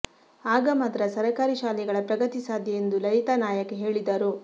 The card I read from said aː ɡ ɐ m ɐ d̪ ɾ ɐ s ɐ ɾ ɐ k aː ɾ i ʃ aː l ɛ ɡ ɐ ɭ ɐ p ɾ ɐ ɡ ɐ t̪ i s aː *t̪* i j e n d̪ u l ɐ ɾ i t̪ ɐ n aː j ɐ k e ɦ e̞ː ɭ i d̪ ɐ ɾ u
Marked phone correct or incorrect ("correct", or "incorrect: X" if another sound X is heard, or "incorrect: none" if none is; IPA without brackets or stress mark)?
incorrect: d̪